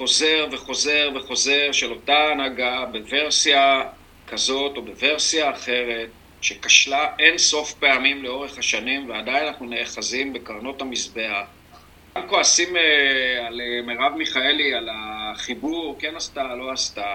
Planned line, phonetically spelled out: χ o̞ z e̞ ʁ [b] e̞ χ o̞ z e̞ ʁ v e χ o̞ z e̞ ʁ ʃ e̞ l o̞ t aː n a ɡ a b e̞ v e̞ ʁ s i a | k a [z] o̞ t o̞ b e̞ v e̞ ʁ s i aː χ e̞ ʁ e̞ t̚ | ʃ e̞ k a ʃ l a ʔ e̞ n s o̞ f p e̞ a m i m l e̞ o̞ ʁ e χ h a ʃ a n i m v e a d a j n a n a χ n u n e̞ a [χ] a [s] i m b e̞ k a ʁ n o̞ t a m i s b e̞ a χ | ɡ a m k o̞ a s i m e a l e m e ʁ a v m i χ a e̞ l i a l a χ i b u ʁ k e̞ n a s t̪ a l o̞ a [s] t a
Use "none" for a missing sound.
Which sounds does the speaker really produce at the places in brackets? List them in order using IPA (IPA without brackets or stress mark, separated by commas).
v, z, χ, z, s